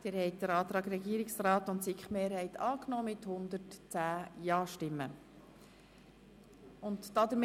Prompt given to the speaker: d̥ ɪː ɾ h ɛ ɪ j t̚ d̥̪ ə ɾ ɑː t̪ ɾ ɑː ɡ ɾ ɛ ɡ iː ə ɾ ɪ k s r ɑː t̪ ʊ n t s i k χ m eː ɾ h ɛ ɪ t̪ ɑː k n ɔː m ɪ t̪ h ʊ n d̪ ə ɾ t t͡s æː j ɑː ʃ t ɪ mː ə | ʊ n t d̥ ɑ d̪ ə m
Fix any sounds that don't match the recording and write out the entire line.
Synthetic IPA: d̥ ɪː ɾ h ɛ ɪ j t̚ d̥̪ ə ɾ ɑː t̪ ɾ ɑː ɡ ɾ ɛ ɡ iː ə ɾ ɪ k s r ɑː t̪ ʊ n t s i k χ m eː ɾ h ɛ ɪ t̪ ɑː k n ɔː m ɪ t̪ h ʊ n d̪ ə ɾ t t͡s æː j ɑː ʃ t ɪ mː ə | ʊ n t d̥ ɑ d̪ ə m